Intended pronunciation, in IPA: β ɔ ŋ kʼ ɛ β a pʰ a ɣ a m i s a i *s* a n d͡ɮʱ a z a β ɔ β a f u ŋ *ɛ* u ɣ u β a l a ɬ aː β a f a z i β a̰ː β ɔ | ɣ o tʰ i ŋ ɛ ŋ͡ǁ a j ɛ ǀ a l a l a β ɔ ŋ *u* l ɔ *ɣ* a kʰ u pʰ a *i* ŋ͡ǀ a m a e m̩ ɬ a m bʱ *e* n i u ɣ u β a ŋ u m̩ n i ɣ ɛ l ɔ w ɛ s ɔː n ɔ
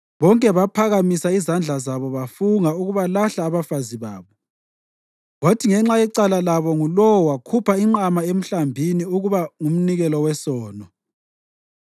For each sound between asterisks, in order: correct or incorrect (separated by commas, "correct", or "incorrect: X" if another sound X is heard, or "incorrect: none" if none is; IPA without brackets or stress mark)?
incorrect: z, incorrect: a, correct, incorrect: w, correct, incorrect: i